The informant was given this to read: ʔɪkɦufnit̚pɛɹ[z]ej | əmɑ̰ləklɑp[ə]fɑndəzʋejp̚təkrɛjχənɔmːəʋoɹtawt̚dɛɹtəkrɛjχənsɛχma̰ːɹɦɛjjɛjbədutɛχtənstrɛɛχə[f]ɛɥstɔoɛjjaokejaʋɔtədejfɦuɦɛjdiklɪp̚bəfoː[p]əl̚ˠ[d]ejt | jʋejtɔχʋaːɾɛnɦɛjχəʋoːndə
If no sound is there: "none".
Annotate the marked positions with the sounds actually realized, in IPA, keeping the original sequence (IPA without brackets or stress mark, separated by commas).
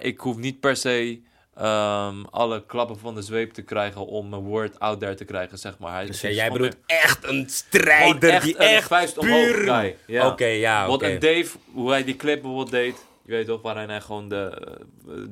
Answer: s, ə, f, b, d